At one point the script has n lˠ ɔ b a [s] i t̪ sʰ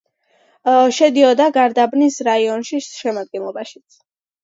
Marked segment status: incorrect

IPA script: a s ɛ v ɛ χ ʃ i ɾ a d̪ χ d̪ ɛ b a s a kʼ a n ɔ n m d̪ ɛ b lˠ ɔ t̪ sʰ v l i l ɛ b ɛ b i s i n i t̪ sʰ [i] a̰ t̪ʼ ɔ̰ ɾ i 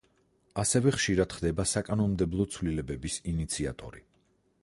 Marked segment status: correct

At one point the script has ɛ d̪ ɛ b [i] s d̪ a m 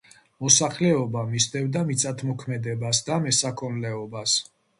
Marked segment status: incorrect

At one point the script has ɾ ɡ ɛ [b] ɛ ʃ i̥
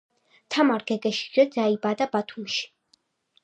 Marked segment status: incorrect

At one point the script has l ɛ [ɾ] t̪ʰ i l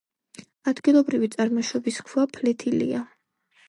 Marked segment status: incorrect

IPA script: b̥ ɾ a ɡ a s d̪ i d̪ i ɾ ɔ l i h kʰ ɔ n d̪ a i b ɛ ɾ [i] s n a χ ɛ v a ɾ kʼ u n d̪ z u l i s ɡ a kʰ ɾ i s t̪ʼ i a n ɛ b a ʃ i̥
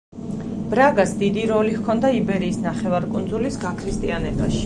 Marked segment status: incorrect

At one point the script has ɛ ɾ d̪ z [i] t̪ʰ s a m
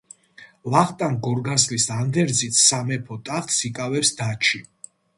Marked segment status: correct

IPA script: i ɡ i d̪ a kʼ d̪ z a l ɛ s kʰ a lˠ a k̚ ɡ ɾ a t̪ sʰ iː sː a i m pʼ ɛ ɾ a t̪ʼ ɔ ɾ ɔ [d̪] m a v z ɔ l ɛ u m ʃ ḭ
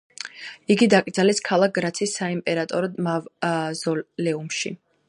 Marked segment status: correct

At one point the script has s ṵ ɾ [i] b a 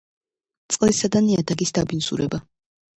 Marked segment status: incorrect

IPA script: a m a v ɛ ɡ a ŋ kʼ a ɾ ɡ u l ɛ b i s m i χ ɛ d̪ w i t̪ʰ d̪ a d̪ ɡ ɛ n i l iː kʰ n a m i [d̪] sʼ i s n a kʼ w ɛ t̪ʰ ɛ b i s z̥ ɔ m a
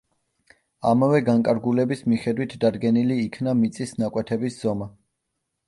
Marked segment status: incorrect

